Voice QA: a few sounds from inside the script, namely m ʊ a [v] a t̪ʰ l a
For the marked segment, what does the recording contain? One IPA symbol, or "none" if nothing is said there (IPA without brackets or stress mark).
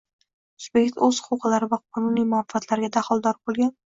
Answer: f